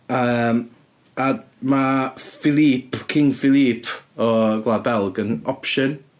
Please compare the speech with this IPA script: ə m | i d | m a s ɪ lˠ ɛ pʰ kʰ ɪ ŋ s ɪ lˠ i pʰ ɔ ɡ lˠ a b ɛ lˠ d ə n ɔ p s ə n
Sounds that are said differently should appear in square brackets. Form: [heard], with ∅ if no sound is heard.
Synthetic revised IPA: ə m | [a] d | m a [f] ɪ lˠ [i] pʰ kʰ ɪ ŋ [f] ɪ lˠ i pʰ ɔ ɡ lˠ a b ɛ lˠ [ɡ] ə n ɔ p [ʃ] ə n